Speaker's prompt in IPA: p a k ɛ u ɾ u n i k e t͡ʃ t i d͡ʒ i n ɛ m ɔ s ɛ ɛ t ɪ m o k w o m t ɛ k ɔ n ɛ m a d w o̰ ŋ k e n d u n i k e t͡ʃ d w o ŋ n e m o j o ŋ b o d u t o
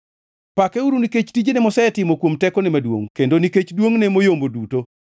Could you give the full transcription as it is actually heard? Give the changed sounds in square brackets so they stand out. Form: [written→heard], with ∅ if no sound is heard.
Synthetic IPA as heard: p a k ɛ u ɾ u n i k e t͡ʃ t i d͡ʒ [i→e] n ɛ m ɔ s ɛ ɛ t ɪ m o k w o m t ɛ k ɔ n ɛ m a d w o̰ ŋ k e n d [u→o] n i k e t͡ʃ d w o ŋ n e m o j o [ŋ→m] b o d u t o